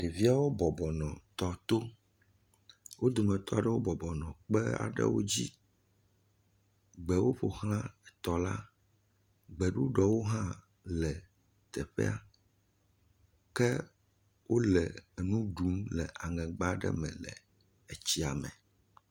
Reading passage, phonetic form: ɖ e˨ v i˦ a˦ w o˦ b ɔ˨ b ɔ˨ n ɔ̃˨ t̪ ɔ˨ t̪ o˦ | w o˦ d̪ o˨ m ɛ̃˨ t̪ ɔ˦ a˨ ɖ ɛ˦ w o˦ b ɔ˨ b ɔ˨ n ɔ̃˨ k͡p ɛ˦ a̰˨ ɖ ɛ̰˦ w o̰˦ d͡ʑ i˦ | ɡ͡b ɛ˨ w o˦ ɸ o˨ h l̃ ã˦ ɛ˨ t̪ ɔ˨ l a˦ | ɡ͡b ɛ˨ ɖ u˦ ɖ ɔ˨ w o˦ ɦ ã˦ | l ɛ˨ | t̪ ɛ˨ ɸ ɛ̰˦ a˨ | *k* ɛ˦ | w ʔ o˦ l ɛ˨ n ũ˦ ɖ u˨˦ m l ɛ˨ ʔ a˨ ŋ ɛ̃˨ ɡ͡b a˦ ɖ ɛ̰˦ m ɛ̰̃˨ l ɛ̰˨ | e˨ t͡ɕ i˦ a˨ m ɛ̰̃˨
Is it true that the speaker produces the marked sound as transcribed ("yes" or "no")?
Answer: yes